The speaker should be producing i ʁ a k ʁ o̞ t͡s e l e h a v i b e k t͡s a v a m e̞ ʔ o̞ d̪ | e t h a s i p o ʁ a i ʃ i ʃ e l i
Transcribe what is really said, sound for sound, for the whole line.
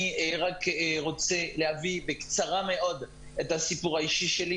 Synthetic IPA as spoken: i ʁ a k ʁ o̞ t͡s e l e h a v i b e k t͡s a ʁ a m e̞ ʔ o̞ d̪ | e t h a s i p u ʁ a i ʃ i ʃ e l i